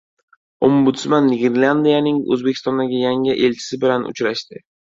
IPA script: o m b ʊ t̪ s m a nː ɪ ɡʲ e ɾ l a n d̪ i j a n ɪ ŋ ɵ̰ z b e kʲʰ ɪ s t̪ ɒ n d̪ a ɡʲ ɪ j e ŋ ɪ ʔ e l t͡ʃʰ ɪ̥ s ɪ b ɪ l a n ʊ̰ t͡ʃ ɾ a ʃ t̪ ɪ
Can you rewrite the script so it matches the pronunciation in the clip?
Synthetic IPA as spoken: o m b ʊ t̪ s m a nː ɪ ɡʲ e ɾ l a n d̪ i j a n ɪ ŋ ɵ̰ z b e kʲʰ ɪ s t̪ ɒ n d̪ a ɡʲ ɪ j a ŋ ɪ ʔ e l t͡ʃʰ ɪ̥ s ɪ b ɪ l a n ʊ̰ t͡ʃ ɾ a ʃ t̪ ɪ